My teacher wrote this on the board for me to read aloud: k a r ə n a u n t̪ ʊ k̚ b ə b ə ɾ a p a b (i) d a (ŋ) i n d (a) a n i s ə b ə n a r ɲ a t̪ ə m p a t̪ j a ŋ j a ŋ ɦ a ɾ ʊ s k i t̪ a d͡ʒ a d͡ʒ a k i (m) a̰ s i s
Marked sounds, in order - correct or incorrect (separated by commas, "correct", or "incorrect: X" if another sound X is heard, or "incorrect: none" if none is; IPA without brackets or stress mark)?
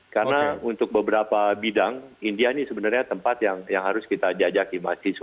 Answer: correct, correct, incorrect: i, correct